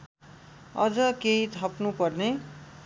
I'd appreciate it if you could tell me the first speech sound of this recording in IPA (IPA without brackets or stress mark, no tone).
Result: ʌ